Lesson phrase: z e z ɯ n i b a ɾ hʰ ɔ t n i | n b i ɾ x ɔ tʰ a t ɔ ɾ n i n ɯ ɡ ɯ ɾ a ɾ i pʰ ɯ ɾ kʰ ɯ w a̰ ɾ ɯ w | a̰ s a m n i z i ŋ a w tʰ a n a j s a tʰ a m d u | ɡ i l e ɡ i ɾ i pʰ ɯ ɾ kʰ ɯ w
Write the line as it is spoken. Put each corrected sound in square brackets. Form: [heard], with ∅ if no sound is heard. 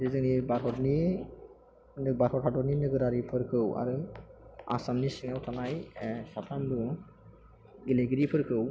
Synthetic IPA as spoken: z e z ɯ n i b a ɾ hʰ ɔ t n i | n b [a] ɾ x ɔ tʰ a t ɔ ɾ n i n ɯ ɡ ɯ ɾ a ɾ i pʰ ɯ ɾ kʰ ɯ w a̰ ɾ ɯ [∅] | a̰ s a m n i [s] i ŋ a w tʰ a n a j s a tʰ a m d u | ɡ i l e ɡ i ɾ i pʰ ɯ ɾ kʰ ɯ w